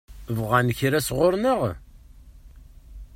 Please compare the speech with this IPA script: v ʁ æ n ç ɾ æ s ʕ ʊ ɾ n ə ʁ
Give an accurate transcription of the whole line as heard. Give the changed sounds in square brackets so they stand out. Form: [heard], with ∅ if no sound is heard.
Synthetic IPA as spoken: v ʁ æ n ç ɾ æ s [ʁ] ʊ ɾ n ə ʁ